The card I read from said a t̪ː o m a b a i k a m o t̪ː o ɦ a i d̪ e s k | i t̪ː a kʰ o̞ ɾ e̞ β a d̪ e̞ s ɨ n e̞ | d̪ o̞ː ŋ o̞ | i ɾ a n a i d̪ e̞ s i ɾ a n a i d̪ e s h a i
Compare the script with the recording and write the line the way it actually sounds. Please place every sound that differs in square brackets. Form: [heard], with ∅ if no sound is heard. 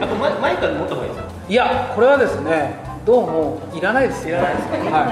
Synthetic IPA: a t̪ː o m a [m] a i k a m o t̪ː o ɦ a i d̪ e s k | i [∅] a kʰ o̞ ɾ e̞ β a d̪ e̞ s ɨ n e̞ | d̪ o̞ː [m] o̞ | i ɾ a n a i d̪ e̞ s i ɾ a n a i d̪ e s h a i